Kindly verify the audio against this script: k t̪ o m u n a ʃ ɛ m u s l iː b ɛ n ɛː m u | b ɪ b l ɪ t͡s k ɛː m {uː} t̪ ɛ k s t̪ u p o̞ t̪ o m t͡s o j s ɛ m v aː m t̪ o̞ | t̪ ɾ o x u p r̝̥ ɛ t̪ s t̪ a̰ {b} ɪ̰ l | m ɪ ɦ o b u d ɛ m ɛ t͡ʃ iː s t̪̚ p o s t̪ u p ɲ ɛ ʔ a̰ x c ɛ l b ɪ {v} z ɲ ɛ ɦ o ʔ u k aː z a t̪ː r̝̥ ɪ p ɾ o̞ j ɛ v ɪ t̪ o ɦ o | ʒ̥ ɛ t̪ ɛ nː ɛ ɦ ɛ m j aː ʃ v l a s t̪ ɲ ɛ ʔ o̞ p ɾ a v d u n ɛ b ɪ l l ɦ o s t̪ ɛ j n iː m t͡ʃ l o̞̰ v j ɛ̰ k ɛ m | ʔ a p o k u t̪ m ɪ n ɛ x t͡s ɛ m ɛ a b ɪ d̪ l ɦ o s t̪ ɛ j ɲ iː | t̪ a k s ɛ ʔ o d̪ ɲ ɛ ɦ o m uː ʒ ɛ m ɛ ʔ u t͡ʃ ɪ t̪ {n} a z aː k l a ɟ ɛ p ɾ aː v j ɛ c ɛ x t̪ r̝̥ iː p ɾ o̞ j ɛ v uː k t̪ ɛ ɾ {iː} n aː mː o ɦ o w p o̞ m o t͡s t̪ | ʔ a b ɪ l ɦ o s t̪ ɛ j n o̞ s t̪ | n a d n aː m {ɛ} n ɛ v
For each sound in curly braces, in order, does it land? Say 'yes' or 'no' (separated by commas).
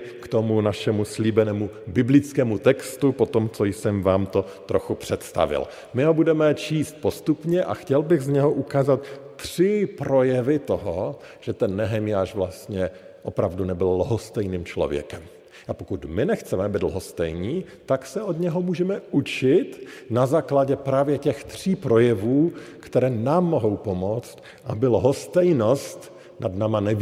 no, no, no, yes, no, no